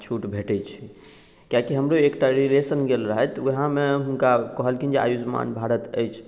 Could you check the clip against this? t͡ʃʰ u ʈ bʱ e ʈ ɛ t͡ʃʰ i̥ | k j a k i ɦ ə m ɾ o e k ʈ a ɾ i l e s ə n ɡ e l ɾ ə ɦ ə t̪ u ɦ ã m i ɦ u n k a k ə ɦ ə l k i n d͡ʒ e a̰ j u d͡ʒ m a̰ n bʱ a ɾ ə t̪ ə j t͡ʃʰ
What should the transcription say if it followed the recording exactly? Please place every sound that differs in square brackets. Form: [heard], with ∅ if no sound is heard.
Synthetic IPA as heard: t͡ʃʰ u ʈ bʱ e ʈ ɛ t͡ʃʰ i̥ | k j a k i ɦ ə m ɾ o e k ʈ a ɾ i l e s ə n ɡ e l ɾ ə ɦ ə t̪ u ɦ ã m [e] ɦ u n k a k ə ɦ ə l k i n d͡ʒ e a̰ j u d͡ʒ m a̰ n bʱ a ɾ ə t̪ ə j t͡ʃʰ